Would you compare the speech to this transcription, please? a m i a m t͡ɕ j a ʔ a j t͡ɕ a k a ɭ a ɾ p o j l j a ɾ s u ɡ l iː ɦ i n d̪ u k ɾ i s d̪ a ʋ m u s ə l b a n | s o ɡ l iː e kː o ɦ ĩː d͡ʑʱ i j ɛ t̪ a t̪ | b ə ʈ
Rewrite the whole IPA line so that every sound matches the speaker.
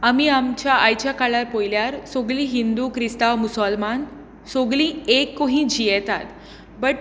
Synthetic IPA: a m i a m t͡ɕ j a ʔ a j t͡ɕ a k a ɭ a ɾ p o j l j a ɾ s o ɡ l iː ɦ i n d̪ u k ɾ i s t̪ a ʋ m u s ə l m a n | s o ɡ l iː e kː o ɦ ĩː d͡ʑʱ i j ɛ t̪ a t̪ | b ə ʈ